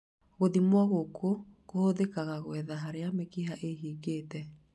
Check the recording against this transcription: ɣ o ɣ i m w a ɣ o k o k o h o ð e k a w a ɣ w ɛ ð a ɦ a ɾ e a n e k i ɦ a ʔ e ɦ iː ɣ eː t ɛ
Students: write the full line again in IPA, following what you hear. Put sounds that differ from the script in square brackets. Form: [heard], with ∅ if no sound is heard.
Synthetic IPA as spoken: ɣ o [ð] i m w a ɣ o k o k o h o ð e k a [ɣ] a ɣ w ɛ ð a ɦ a ɾ e a [m] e k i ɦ a ʔ e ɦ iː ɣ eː t ɛ